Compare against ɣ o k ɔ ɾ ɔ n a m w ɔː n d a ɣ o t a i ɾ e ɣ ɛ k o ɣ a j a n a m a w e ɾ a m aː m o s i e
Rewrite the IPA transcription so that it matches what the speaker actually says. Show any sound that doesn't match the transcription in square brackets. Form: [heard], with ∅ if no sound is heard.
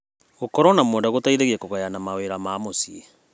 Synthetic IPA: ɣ o k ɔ ɾ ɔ n a m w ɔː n d a ɣ o t a i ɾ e ɣ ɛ k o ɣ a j a n a m a w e ɾ a m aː m o s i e